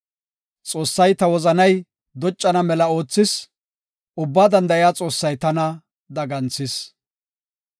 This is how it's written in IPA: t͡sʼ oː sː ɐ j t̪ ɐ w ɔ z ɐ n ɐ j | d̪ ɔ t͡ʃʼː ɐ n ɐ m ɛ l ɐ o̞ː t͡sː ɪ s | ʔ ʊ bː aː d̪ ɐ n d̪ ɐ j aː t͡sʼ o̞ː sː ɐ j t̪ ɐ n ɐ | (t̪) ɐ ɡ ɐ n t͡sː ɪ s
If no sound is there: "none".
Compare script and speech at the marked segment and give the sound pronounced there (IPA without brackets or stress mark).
d̪